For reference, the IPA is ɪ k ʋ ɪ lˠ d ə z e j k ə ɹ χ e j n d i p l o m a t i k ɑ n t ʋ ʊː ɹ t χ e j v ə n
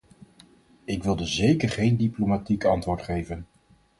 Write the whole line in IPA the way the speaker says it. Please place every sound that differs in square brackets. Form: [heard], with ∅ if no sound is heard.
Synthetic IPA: ɪ k ʋ ɪ lˠ d ə z e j k ə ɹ χ e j n d i p l o m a t i k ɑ n t ʋ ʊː ɹ t χ e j v ə n

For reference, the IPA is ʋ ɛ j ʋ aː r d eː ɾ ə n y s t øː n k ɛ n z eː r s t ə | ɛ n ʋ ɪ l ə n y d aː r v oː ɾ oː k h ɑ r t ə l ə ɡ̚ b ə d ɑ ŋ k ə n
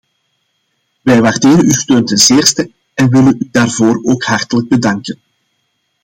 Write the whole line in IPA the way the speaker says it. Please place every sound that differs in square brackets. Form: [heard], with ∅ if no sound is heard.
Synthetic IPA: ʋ ɛ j ʋ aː r d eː ɾ ə n y s t øː n [t] ɛ n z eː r s t ə | ɛ n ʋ ɪ l ə n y d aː r v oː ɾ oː k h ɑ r t ə l ə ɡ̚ b ə d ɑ ŋ k ə n

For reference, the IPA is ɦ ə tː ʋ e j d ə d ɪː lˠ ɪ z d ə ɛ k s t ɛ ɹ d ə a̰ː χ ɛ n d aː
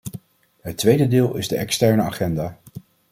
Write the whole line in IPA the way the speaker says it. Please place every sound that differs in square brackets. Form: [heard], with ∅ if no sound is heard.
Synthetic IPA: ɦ ə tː ʋ e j d ə d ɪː lˠ ɪ z d ə ɛ k s t ɛ ɹ [n] ə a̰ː χ ɛ n d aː

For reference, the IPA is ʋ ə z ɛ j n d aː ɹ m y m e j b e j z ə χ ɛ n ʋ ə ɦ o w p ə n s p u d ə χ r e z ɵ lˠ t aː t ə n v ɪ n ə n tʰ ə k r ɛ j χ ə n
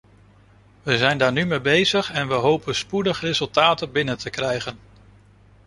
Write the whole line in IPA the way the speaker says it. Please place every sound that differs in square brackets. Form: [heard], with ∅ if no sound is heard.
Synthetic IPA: ʋ ə z ɛ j n d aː ɹ [n] y m e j b e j z ə χ ɛ n ʋ ə ɦ o w p ə n s p u d ə χ r e z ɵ lˠ t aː t ə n [b] ɪ n ə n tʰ ə k r ɛ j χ ə n

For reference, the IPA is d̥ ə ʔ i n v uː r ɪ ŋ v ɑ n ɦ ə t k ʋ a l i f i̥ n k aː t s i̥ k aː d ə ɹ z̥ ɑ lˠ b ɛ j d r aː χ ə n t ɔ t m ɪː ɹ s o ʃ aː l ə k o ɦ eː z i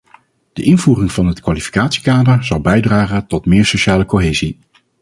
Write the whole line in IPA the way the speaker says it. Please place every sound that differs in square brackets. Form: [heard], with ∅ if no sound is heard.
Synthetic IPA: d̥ ə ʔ [ɪ] n v uː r ɪ ŋ v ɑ n ɦ ə t k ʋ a l i f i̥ [∅] k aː t s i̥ k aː d ə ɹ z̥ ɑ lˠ b ɛ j d r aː χ ə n t ɔ t m ɪː ɹ s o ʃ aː l ə k o ɦ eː z i

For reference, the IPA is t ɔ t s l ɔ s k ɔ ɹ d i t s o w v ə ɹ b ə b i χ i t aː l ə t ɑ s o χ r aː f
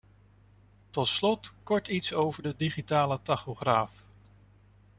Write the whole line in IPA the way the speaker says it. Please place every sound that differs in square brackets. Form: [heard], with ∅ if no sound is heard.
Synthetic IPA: t ɔ t s l ɔ [t] k ɔ ɹ [t] i t s o w v ə ɹ [d] ə [d] i χ i t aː l ə t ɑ [χ] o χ r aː f

